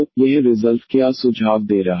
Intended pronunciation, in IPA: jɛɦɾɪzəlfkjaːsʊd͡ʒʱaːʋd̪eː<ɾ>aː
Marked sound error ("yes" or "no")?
no